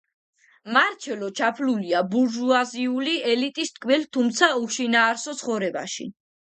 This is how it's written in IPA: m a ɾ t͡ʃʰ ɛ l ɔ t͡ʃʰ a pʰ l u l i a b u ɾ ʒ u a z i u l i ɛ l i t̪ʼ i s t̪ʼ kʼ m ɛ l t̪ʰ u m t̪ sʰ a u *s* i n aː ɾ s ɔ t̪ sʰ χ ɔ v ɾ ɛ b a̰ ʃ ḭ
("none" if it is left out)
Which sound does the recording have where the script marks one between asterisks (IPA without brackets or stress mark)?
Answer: ʃ